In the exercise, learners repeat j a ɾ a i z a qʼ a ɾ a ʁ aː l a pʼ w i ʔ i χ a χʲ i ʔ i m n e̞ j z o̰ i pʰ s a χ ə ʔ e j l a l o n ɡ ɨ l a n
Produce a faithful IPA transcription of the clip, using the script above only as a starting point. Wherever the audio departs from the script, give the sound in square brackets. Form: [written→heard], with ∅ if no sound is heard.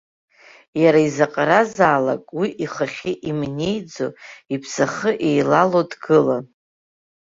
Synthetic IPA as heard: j a ɾ a i z a qʼ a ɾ a [ʁ→z] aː l a [pʼ→kʼ] w i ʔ i χ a χʲ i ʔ i m n e̞ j [z→d͡z] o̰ i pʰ s a χ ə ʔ e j l a l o [n→d] ɡ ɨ l a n